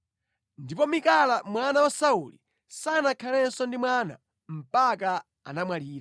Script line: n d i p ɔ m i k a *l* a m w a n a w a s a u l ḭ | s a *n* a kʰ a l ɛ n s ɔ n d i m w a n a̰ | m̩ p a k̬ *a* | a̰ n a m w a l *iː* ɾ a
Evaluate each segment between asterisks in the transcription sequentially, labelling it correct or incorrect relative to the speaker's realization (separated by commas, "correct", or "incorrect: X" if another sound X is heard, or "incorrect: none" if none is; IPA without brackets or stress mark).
correct, correct, correct, correct